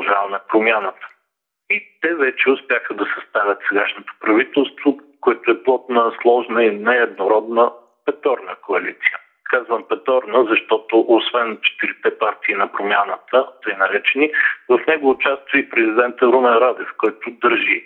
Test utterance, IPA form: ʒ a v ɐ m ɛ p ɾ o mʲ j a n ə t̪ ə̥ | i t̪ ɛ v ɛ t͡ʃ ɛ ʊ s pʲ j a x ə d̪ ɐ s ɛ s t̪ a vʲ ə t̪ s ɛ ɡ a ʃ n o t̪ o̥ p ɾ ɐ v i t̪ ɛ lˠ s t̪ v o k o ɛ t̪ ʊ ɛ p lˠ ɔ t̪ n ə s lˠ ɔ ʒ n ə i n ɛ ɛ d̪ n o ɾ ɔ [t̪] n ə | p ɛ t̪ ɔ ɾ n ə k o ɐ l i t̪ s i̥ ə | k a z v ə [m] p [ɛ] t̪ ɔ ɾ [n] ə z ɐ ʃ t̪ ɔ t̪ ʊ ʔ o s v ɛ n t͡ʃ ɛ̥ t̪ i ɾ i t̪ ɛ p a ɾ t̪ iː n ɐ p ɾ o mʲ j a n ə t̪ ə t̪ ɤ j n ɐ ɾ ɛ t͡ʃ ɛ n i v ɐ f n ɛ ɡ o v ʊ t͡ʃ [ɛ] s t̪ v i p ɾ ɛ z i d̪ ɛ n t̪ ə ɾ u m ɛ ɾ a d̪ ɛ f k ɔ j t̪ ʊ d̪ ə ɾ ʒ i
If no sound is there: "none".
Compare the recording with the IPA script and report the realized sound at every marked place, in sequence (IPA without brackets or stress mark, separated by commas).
d̪, m, ɛ, n, a